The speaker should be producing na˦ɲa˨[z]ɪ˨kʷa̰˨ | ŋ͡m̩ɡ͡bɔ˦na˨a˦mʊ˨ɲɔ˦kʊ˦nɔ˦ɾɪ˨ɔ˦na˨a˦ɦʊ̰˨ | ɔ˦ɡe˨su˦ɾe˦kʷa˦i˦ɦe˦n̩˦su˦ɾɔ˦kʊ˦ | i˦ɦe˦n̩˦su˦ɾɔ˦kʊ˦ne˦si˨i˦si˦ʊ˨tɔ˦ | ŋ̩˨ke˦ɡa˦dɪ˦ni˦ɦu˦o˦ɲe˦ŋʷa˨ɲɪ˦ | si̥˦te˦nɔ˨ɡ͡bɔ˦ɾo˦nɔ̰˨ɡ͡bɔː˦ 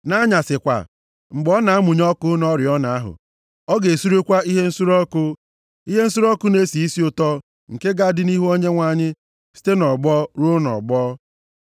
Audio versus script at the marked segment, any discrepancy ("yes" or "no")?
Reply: yes